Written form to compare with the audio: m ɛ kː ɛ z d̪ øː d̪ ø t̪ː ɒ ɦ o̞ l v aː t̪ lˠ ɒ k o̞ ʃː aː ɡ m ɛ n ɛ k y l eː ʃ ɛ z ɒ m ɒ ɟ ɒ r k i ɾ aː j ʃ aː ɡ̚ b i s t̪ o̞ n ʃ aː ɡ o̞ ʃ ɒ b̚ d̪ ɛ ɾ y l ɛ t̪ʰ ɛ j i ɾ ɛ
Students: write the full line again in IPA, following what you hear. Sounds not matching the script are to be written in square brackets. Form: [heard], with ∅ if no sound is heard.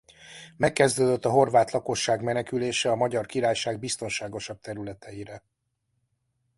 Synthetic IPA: m ɛ kː ɛ z d̪ øː d̪ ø t̪ː ɒ ɦ o̞ [r] v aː t̪ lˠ ɒ k o̞ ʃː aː ɡ m ɛ n ɛ k y l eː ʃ ɛ [∅] ɒ m ɒ ɟ ɒ r k i ɾ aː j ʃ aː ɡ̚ b i s t̪ o̞ n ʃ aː ɡ o̞ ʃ ɒ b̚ [t̪] ɛ ɾ y l ɛ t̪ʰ ɛ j i ɾ ɛ